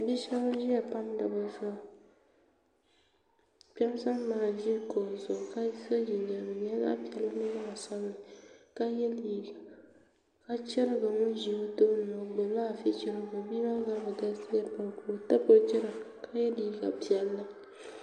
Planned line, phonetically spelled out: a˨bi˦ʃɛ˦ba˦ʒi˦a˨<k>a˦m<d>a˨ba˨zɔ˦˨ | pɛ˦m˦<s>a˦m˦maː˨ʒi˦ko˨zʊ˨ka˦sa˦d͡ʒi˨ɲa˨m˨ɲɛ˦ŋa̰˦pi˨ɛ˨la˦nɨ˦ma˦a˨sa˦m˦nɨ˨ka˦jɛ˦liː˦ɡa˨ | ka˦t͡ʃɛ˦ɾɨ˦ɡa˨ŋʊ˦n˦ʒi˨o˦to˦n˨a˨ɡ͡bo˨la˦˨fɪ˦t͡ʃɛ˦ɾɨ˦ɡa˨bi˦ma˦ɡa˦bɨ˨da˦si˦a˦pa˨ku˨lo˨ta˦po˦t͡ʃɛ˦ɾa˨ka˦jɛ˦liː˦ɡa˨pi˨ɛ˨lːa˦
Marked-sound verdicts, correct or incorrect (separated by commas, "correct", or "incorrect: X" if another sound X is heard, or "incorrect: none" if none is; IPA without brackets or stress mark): incorrect: p, correct, correct